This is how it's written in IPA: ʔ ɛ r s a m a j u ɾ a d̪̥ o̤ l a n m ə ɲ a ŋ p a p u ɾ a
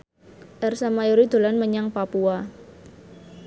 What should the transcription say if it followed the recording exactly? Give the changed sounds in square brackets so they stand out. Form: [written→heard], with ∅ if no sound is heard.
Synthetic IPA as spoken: ʔ ɛ r s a m a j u ɾ [a→i] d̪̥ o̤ l a n m ə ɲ a ŋ p a p u [ɾ→∅] a